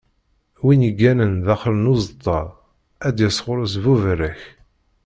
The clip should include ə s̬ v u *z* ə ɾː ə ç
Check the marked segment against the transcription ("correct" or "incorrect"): incorrect